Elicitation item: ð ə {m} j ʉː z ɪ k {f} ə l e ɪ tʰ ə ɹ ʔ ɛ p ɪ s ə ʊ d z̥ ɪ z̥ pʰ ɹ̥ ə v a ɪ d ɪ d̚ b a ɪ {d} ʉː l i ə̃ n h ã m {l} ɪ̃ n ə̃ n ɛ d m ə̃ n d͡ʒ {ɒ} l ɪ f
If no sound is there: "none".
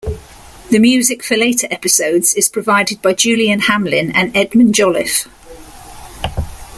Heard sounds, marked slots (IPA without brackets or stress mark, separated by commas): m, f, d͡ʒ, l, ɒ